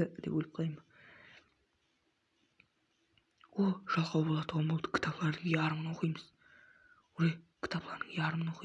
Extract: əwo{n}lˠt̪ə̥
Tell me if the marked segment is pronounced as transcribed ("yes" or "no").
no